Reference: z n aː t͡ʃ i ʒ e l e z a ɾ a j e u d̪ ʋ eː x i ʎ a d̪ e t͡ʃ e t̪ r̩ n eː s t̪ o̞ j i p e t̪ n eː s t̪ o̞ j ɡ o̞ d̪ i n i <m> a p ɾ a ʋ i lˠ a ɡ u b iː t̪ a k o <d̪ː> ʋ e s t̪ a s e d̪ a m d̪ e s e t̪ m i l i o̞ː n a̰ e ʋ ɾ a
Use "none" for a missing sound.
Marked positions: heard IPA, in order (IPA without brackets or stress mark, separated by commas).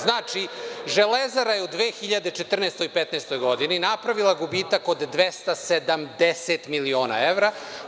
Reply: n, d̪ː